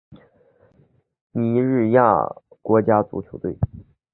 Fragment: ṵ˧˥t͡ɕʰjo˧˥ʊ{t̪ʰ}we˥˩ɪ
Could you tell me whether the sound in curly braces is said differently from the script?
yes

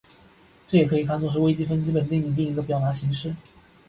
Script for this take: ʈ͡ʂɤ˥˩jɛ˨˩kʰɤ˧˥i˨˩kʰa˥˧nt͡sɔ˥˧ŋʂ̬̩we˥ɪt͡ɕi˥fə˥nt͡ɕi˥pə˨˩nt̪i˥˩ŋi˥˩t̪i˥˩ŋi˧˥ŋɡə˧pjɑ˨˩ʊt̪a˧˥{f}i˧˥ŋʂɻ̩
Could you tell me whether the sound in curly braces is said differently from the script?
yes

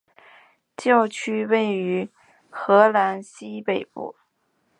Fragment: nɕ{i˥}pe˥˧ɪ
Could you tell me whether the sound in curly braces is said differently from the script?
no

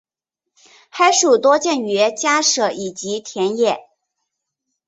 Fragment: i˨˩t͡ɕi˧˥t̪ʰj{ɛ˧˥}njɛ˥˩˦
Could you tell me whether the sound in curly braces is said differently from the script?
no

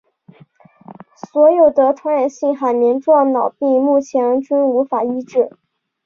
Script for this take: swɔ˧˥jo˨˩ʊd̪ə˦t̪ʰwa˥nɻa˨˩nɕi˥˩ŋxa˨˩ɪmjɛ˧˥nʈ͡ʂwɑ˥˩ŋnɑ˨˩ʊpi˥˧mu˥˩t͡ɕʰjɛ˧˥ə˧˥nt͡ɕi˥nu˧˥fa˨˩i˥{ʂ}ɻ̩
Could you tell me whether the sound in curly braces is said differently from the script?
yes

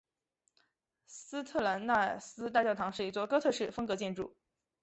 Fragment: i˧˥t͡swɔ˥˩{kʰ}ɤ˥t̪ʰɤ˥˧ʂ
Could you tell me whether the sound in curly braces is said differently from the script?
yes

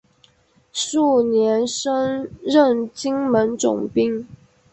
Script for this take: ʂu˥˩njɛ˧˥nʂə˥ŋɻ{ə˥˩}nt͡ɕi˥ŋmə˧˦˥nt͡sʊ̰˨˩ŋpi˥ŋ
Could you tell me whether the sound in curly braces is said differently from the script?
no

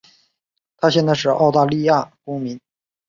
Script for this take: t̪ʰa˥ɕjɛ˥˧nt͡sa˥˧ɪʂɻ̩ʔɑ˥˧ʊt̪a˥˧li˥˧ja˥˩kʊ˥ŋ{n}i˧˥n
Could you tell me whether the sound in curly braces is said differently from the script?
yes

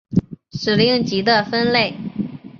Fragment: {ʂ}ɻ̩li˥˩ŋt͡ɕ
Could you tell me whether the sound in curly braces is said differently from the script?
no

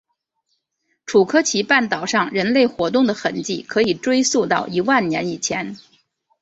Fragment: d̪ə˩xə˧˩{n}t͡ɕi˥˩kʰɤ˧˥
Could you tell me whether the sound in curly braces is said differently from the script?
no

